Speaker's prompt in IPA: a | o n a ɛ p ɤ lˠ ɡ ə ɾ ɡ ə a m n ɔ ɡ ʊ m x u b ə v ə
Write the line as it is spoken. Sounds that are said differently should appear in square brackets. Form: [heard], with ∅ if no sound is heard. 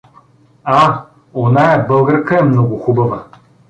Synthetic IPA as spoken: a | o n a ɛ [b] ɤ lˠ ɡ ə ɾ [k] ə [ɛ] m n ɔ ɡ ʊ [∅] x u b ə v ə